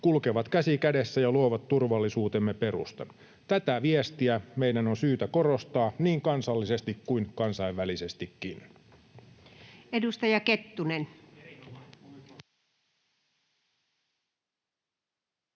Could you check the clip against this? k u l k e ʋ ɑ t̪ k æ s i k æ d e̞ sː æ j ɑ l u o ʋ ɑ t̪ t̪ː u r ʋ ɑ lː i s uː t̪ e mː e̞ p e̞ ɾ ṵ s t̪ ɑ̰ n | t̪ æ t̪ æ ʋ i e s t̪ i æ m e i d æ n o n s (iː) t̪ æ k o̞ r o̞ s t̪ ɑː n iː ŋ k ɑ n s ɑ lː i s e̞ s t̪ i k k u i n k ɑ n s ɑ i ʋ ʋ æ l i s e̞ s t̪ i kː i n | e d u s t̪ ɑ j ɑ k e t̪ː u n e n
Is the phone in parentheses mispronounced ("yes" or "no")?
yes